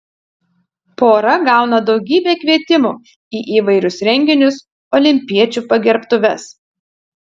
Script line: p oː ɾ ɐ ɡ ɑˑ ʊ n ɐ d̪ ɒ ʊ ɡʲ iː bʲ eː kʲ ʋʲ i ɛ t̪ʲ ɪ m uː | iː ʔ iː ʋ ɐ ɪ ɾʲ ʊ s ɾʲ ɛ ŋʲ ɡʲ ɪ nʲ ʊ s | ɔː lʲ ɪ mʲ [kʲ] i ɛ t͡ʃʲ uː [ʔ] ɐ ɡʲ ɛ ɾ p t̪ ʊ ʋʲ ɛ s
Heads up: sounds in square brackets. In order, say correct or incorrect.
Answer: incorrect: pʲ, incorrect: p

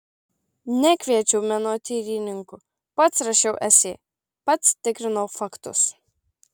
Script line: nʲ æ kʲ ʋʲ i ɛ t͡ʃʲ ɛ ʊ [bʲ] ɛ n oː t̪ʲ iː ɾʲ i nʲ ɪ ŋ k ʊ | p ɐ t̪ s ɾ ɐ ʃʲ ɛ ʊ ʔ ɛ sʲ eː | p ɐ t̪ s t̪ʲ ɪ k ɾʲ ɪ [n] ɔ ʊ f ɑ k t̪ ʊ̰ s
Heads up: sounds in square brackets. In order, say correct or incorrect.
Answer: incorrect: mʲ, correct

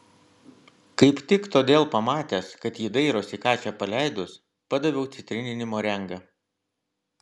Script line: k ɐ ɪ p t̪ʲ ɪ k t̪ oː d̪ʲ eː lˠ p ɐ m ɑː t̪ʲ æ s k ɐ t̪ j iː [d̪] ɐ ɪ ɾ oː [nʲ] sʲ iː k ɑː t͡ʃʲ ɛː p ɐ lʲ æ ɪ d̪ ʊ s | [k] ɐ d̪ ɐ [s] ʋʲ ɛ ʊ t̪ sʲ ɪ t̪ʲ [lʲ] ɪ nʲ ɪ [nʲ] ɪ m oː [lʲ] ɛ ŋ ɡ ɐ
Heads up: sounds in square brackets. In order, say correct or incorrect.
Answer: correct, incorrect: none, incorrect: p, incorrect: none, incorrect: ɾʲ, correct, incorrect: ɾʲ

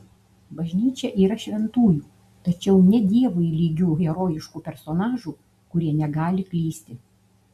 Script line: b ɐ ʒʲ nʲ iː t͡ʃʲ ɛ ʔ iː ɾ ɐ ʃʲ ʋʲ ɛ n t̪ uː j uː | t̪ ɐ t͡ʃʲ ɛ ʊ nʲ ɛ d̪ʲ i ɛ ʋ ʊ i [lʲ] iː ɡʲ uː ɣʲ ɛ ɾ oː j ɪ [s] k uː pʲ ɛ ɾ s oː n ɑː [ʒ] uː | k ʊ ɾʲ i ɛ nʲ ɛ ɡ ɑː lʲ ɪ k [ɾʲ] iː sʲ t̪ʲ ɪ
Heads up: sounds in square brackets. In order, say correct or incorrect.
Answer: correct, incorrect: ʃ, correct, incorrect: lʲ

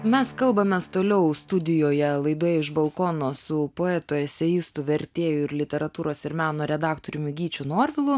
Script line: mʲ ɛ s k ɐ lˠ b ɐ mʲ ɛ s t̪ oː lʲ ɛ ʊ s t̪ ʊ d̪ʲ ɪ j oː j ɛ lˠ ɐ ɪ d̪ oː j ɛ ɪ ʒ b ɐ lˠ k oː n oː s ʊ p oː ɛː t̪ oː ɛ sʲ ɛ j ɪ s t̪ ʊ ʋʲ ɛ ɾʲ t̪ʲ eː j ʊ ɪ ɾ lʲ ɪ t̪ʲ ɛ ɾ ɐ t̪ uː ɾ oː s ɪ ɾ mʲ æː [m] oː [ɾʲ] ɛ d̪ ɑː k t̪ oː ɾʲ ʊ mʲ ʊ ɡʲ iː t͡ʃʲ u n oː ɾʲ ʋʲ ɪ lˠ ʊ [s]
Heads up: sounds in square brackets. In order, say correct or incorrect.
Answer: incorrect: n, correct, incorrect: none

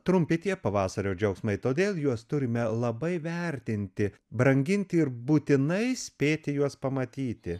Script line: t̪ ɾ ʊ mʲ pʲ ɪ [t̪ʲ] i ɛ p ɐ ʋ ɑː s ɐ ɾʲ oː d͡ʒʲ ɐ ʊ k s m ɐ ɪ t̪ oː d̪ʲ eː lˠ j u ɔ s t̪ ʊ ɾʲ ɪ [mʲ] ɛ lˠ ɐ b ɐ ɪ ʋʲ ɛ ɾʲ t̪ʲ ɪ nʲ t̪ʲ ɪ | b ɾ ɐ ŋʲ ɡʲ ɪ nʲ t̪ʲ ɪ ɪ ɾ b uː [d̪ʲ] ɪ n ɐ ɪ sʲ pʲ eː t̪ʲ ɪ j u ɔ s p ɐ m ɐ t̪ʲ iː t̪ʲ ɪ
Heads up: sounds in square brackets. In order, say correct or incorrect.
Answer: correct, correct, incorrect: t̪ʲ

